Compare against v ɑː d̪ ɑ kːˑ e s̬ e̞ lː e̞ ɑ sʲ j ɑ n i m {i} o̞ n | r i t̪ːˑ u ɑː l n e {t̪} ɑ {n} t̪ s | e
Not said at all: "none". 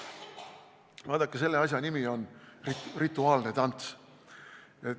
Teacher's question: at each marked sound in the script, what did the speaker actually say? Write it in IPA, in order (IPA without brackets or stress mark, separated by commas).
i, t̪, n